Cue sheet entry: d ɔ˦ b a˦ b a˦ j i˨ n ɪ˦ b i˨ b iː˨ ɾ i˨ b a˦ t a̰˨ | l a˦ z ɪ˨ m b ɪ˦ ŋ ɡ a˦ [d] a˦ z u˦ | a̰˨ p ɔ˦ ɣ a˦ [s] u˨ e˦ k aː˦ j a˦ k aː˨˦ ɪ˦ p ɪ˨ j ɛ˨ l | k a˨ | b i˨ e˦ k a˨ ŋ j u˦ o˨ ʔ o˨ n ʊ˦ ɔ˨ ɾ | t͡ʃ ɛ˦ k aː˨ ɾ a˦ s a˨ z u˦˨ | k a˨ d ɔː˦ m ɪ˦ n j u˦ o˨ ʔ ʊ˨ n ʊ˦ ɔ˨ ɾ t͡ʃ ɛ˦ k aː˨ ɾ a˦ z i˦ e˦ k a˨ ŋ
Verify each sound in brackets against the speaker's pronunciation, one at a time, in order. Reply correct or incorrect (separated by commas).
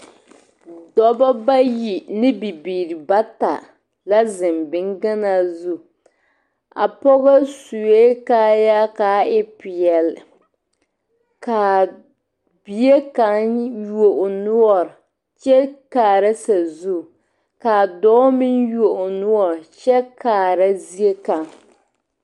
incorrect, correct